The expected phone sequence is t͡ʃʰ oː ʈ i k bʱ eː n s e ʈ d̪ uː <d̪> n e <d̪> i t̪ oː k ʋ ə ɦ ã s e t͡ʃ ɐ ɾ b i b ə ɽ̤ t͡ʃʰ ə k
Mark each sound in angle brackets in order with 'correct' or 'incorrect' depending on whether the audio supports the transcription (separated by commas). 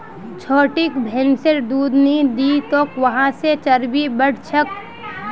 correct, correct